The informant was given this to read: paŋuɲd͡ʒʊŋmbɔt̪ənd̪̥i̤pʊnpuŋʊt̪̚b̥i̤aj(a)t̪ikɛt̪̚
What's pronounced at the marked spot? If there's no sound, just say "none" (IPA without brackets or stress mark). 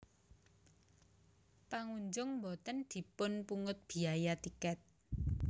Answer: a